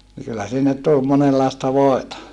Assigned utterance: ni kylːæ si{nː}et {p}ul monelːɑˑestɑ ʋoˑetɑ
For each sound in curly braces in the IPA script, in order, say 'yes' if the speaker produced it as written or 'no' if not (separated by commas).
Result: yes, no